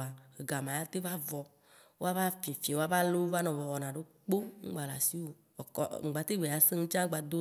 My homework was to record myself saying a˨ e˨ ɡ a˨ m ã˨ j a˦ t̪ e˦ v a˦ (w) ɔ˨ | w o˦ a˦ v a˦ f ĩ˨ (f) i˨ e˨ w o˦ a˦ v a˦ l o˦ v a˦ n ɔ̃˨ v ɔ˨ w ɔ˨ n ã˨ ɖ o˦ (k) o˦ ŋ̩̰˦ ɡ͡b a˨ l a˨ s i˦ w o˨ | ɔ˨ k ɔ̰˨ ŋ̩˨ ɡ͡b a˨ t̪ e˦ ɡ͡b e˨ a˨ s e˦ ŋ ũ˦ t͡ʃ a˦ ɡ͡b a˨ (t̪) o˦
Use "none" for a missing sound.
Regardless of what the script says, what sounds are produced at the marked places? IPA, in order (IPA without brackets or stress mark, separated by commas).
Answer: v, f, k͡p, d̪